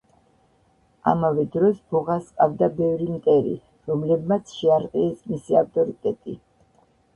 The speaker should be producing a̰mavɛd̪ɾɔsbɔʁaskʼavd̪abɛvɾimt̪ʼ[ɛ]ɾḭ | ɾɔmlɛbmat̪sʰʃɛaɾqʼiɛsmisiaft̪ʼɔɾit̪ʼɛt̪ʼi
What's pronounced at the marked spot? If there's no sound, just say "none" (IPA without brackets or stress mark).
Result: ɛ